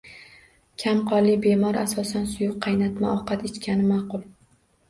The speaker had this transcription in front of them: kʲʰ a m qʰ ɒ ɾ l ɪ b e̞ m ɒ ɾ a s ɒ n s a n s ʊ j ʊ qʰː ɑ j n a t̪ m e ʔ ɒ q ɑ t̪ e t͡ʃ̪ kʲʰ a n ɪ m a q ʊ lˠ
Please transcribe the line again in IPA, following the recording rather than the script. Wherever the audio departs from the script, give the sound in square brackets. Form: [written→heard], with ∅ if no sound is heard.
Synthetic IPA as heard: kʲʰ a m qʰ ɒ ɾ l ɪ b e̞ m ɒ ɾ a s ɒ [n→∅] s a n s ʊ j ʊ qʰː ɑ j n a t̪ m [e→a] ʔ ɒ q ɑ t̪ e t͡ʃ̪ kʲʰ a n ɪ m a q ʊ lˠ